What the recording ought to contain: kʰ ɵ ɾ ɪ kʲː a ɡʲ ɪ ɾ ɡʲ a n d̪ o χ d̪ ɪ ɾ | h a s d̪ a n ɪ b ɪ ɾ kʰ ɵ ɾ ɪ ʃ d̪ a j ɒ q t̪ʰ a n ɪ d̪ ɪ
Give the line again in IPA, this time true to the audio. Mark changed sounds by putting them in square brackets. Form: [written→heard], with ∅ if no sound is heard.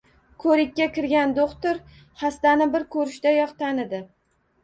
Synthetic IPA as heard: kʰ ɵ ɾ ɪ kʲː a [ɡʲ→kʲ] ɪ ɾ ɡʲ a n d̪ o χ [d̪→t̪] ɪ ɾ | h a s [d̪→t̪] a n ɪ b ɪ ɾ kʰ ɵ ɾ ɪ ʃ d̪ a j ɒ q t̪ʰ a n ɪ d̪ ɪ